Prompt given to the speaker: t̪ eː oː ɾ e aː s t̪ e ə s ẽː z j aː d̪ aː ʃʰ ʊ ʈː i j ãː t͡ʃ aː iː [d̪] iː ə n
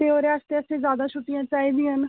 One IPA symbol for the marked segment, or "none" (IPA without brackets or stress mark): d̪